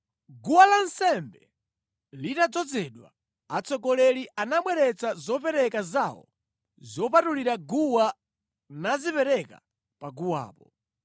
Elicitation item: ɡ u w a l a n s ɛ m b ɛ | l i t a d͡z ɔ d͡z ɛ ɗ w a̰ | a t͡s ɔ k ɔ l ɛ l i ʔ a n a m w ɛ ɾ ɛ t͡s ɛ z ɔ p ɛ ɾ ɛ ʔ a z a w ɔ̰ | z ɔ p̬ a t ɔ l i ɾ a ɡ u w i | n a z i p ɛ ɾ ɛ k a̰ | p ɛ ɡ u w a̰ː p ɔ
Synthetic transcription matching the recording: ɡ u w a l a n s ɛ m b ɛ | l i t a d͡z ɔ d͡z ɛ ɗ w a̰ | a t͡s ɔ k ɔ l ɛ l i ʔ a n a m w ɛ ɾ ɛ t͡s a z ɔ p ɛ ɾ ɛ k a z a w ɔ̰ | z ɔ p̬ a t u l i ɾ a ɡ u w a | n a z i p ɛ ɾ ɛ k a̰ | p a ɡ u w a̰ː p ɔ